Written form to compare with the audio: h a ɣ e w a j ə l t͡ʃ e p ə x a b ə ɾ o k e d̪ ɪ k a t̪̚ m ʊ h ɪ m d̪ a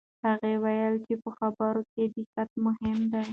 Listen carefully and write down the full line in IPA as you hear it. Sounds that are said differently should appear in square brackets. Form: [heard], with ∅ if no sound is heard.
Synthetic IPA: h a ɣ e w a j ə l t͡ʃ e p ə x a b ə ɾ o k e d̪ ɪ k a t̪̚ m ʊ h ɪ m d̪ a